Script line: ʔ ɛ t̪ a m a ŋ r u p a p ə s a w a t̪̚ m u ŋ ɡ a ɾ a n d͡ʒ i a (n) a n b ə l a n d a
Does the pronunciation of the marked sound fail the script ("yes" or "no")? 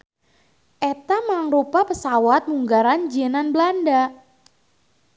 no